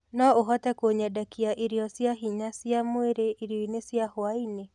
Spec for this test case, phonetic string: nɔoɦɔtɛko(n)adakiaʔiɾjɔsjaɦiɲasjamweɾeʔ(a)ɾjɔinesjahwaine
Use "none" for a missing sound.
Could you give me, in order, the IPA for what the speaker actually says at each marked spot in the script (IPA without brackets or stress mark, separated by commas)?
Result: ɲ, i